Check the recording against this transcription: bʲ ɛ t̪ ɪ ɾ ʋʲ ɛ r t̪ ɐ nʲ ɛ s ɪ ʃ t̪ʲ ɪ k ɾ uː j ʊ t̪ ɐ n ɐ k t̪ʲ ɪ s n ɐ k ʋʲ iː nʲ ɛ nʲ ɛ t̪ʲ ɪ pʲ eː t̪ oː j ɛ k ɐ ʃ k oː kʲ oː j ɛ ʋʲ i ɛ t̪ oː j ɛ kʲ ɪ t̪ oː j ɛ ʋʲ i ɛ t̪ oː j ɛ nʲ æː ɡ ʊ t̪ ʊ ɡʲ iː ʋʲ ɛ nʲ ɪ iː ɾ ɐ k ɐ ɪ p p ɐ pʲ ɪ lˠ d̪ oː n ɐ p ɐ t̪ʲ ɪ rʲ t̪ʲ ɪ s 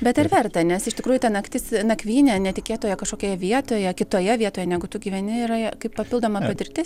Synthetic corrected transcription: bʲ ɛ t̪ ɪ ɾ ʋʲ ɛ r t̪ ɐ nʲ ɛ s ɪ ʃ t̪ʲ ɪ k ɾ uː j ʊ t̪ ɐ n ɐ k t̪ʲ ɪ s n ɐ k ʋʲ iː nʲ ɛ nʲ ɛ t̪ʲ ɪ kʲ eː t̪ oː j ɛ k ɐ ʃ k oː kʲ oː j ɛ ʋʲ i ɛ t̪ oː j ɛ kʲ ɪ t̪ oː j ɛ ʋʲ i ɛ t̪ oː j ɛ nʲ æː ɡ ʊ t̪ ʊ ɡʲ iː ʋʲ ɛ nʲ ɪ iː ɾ ɐ k ɐ ɪ p p ɐ pʲ ɪ lˠ d̪ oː m ɐ p ɐ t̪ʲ ɪ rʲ t̪ʲ ɪ s